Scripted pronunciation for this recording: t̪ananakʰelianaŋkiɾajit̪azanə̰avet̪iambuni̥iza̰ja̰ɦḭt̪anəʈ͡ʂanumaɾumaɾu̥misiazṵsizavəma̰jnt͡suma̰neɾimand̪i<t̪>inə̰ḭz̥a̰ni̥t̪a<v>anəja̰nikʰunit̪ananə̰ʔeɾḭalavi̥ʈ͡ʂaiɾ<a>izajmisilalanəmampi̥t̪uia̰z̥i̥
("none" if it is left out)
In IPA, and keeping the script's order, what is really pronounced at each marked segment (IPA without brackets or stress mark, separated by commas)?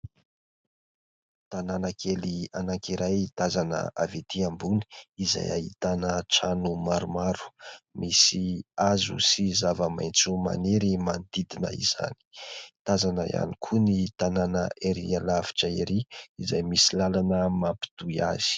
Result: d̪, z, i